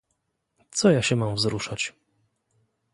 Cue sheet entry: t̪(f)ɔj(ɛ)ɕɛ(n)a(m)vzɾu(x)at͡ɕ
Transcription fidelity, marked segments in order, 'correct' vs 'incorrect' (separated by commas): incorrect, incorrect, incorrect, correct, incorrect